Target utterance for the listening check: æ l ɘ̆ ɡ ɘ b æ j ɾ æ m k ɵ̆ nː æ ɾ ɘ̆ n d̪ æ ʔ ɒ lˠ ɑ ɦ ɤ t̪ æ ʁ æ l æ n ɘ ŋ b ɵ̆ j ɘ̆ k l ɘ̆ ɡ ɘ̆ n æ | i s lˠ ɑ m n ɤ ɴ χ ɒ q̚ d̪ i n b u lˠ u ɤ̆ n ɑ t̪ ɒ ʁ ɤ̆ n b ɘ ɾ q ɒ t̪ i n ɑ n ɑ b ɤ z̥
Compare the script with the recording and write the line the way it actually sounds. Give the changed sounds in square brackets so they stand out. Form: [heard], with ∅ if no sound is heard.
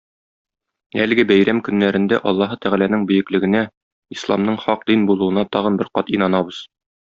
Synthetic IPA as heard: æ l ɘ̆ ɡ ɘ b æ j ɾ æ m k ɵ̆ nː æ ɾ ɘ̆ n d̪ æ ʔ ɒ [lˠː] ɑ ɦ ɤ t̪ æ ʁ æ l æ n ɘ ŋ b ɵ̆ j ɘ̆ k l ɘ̆ ɡ ɘ̆ n æ | i s lˠ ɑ m n ɤ ɴ χ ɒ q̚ d̪ i n b u lˠ u ɤ̆ n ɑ t̪ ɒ ʁ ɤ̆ n b ɘ ɾ q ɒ t̪ i n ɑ n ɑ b ɤ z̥